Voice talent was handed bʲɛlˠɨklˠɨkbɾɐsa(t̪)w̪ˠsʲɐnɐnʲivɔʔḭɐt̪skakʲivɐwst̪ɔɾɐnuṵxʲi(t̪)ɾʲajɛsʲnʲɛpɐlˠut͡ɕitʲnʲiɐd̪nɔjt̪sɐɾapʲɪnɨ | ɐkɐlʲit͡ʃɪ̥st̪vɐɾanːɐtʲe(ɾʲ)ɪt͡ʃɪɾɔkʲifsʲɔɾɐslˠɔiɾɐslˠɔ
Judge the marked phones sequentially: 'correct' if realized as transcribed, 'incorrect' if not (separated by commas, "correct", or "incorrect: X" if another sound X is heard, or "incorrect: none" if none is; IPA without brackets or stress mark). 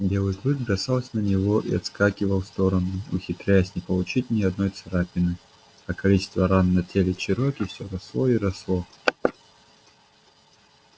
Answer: incorrect: none, correct, incorrect: lʲ